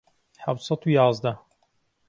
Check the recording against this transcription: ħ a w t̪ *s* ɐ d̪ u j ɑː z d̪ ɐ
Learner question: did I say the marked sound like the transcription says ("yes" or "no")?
yes